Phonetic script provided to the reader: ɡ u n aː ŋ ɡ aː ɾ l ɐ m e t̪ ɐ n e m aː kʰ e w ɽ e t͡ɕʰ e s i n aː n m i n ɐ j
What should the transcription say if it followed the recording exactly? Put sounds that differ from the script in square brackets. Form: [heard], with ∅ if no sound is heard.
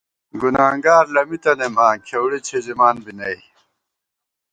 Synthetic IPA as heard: ɡ u n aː ŋ ɡ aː ɾ l ɐ m [i] t̪ ɐ n e m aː kʰ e w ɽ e t͡ɕʰ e [z] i [m] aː n [b] i n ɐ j

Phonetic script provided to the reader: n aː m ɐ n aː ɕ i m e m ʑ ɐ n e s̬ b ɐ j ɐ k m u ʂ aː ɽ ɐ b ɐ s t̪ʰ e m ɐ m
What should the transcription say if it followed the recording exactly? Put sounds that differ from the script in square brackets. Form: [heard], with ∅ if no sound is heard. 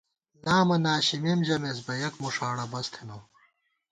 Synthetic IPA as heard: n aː m ɐ n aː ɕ i m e m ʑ ɐ [m] e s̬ b ɐ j ɐ k m u ʂ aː ɽ ɐ b ɐ s t̪ʰ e [n] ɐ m

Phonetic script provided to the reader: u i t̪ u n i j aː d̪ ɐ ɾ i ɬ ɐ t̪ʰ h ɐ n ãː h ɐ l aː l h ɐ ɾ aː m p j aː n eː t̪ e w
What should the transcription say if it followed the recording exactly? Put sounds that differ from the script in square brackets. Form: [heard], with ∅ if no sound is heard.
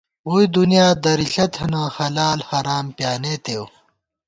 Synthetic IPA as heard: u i [d̪] u n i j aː d̪ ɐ ɾ i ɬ ɐ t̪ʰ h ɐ n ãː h ɐ l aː l h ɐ ɾ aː m p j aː n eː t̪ e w

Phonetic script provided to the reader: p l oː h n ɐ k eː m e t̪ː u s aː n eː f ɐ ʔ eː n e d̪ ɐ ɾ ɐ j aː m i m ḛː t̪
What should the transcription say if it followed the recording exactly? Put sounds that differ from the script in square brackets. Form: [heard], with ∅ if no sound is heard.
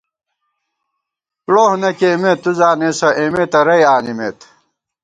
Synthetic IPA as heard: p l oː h n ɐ k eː m e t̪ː u [z] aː n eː [s] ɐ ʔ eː [m] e [t̪] ɐ ɾ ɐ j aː [n] i m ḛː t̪

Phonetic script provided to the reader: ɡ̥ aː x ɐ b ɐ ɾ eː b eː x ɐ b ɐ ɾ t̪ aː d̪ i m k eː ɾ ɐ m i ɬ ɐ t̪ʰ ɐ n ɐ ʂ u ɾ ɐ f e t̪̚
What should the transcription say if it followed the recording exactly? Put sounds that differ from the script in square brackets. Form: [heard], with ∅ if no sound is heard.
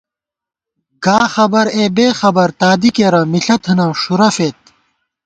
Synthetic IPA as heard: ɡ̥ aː x ɐ b ɐ ɾ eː b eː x ɐ b ɐ ɾ t̪ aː d̪ i [∅] k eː ɾ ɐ m i ɬ ɐ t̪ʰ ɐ n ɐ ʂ u ɾ ɐ f e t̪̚

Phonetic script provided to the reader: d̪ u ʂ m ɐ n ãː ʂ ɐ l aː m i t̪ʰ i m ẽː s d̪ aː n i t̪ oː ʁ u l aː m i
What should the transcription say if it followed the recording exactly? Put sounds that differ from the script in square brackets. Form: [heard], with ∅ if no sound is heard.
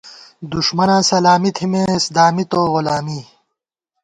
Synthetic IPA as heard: d̪ u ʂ m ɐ n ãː [s] ɐ l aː m i t̪ʰ i m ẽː s d̪ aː [m] i t̪ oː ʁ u l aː m i

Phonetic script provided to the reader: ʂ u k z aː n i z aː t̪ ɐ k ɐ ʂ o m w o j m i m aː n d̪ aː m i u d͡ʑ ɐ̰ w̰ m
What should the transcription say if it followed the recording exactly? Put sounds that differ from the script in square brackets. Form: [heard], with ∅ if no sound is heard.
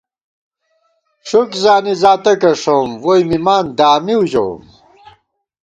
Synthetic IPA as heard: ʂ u k z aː n i z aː t̪ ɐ k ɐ ʂ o m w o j m i m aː n d̪ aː m i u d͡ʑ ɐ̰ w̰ m

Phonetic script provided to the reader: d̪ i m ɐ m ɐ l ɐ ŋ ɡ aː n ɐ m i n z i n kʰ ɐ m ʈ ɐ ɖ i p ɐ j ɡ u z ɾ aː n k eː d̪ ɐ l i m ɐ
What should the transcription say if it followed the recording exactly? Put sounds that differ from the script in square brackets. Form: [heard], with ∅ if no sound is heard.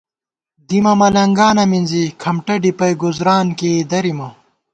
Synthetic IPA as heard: d̪ i m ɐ m ɐ l ɐ ŋ ɡ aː n ɐ m i n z i [∅] kʰ ɐ m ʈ ɐ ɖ i p ɐ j ɡ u z ɾ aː n k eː d̪ ɐ [ɾ] i m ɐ

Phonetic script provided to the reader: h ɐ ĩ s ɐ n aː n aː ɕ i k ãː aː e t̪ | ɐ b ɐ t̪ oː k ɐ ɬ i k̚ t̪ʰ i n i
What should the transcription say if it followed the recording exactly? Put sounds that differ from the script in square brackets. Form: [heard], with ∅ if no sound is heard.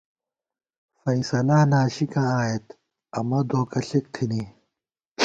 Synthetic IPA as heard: [f] ɐ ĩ s ɐ n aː n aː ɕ i k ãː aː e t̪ | ɐ [m] ɐ [d̪] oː k ɐ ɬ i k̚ t̪ʰ i n i

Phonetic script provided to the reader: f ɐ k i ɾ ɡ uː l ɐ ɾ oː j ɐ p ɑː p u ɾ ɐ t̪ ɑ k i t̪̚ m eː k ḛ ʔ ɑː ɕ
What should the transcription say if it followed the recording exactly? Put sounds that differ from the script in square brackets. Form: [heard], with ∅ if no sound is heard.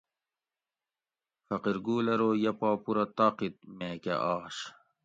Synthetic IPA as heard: f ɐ [q] i ɾ ɡ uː l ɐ ɾ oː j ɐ p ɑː p u ɾ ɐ t̪ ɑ [q] i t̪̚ m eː k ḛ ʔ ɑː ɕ

